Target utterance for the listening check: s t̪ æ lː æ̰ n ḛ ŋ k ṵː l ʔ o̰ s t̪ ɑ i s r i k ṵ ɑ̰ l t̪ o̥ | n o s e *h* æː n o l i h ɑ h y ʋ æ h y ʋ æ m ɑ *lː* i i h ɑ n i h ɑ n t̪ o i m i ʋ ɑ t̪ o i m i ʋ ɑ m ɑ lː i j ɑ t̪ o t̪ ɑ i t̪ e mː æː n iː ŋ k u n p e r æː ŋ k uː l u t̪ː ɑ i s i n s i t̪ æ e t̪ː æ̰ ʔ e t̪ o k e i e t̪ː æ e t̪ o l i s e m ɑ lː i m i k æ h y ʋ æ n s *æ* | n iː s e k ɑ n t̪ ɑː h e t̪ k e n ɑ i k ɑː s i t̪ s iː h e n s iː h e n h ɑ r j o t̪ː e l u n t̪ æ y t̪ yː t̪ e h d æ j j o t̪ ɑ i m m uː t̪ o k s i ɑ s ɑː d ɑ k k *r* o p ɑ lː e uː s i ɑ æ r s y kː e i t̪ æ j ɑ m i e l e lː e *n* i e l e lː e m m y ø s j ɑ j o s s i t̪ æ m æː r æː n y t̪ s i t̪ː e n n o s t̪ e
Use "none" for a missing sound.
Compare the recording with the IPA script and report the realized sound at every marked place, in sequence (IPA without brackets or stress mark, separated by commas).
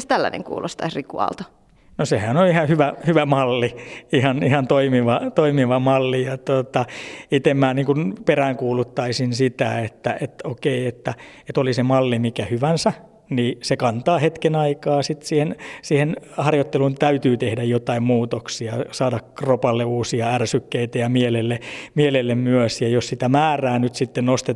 h, lː, æ, r, m